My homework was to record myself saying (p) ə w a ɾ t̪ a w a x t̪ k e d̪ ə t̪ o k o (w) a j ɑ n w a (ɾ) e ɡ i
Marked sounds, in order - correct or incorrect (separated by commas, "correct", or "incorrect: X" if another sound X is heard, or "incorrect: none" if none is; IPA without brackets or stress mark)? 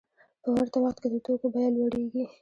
correct, incorrect: b, incorrect: ɽ